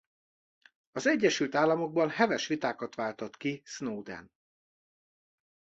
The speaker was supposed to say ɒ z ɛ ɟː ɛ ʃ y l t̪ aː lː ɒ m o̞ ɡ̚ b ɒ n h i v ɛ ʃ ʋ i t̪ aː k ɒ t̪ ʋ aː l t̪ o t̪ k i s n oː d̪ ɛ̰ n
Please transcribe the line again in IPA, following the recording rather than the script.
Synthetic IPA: ɒ z ɛ ɟː ɛ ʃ y l t̪ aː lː ɒ m o̞ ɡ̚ b ɒ n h ɛ v ɛ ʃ ʋ i t̪ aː k ɒ t̪ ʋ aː l t̪ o t̪ k i s n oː d̪ ɛ̰ n